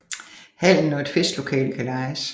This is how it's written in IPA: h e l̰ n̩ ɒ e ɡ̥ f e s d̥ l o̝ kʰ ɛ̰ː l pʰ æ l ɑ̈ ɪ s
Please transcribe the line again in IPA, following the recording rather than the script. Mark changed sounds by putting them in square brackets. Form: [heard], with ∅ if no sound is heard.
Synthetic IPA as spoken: h [æ] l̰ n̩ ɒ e [d̥] f e s d̥ l o̝ kʰ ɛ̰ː l [kʰ] æ l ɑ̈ ɪ s